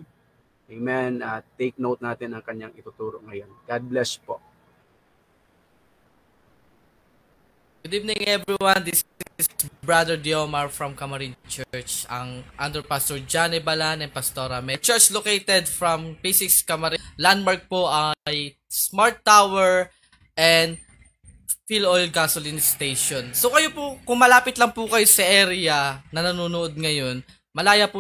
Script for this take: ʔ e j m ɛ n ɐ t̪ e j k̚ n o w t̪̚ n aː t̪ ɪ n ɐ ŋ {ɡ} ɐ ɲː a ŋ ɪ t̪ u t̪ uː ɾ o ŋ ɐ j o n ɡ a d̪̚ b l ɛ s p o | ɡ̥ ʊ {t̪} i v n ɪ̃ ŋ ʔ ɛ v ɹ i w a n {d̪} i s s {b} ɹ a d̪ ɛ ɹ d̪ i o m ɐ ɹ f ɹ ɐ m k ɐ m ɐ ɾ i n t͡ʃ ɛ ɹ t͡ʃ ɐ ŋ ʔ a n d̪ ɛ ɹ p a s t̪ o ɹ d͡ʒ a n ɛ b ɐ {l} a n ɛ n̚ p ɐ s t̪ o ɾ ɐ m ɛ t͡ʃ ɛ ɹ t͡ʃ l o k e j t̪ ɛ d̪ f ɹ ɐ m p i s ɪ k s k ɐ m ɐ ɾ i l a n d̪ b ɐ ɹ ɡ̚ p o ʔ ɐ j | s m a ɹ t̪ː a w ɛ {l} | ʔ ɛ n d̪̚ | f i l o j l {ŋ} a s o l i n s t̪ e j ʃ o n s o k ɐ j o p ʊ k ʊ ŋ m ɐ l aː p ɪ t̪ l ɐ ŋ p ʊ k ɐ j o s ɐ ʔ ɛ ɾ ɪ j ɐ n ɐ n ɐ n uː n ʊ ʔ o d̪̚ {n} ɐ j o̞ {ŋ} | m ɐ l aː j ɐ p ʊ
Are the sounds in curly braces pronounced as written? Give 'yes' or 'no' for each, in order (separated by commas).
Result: no, no, yes, yes, yes, no, no, no, no